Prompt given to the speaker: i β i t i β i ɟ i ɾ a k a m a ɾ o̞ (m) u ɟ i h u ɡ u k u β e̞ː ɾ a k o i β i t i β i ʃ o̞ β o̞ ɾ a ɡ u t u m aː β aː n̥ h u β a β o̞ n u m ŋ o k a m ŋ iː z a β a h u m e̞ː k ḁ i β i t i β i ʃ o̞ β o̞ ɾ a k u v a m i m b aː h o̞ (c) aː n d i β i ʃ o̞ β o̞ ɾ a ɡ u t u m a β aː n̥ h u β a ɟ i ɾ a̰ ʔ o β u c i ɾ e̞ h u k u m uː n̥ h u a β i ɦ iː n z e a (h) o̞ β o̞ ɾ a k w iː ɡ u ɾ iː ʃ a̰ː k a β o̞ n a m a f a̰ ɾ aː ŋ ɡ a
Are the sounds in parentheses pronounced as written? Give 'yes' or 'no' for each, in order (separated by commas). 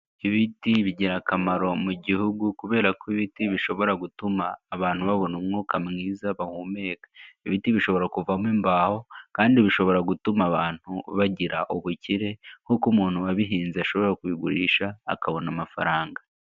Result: yes, no, no